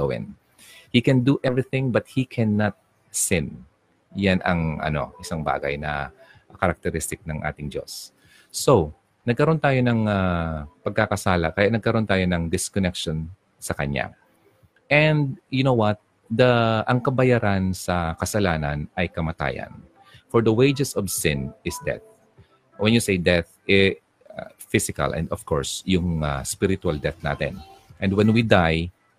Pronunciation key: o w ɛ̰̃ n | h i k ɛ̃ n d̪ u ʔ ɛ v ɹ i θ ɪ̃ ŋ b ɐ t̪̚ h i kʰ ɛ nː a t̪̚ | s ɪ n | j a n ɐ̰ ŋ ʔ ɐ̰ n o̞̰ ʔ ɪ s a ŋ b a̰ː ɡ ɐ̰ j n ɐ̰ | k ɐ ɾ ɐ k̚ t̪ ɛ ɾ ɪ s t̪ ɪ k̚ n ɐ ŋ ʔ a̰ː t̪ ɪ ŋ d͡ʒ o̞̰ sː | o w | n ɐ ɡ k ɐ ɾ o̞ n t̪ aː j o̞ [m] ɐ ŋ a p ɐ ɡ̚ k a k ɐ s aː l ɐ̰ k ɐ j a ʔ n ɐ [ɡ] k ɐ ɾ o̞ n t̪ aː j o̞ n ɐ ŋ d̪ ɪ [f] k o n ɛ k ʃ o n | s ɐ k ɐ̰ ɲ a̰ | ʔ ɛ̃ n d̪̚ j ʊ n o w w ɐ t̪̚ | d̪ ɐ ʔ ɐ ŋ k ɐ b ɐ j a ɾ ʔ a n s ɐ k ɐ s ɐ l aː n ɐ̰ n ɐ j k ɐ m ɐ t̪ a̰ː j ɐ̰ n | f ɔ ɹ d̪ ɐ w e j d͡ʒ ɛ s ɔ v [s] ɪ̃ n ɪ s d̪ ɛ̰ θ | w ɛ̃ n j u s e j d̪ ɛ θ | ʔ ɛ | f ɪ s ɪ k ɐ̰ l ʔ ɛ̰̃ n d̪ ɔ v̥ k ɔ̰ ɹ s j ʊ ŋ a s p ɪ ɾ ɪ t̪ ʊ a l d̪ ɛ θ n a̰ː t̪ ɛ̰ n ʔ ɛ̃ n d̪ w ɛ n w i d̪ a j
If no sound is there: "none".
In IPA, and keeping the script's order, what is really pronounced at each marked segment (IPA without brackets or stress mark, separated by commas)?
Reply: n, ɡ, s, s